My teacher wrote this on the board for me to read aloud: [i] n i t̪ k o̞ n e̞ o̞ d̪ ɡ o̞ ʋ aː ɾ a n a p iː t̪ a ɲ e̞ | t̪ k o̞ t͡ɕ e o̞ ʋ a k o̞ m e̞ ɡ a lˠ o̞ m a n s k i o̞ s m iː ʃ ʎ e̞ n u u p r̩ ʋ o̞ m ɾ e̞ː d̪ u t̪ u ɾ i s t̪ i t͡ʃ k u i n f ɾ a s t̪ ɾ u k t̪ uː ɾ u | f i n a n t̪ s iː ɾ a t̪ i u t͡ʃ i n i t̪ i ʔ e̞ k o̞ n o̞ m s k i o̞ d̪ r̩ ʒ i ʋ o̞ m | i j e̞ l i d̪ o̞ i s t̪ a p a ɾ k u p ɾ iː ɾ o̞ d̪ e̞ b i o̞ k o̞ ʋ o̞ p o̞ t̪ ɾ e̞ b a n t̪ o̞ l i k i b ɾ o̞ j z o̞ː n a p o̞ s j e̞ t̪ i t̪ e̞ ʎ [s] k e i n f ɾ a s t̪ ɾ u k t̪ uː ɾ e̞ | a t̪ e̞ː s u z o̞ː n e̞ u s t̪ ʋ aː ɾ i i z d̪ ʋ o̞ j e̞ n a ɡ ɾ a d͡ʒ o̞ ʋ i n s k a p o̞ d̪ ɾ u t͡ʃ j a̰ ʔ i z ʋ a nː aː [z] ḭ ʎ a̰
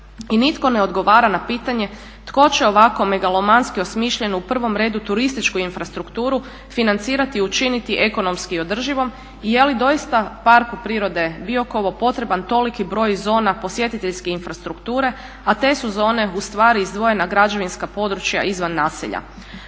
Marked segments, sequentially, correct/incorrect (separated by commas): correct, correct, incorrect